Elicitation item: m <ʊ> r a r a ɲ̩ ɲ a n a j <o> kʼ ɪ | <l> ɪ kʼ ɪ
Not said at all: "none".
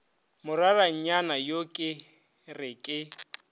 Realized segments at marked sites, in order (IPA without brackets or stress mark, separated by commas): ʊ, o, r